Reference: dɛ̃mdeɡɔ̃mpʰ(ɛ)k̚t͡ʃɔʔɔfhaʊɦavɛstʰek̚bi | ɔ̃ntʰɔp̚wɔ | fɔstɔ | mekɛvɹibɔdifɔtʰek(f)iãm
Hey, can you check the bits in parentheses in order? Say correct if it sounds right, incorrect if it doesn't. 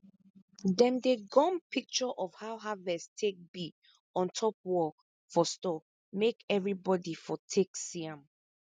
incorrect, incorrect

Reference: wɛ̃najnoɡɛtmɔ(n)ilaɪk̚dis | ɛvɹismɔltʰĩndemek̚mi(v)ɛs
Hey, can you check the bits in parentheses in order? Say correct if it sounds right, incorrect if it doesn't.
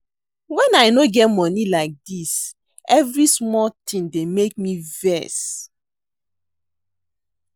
correct, correct

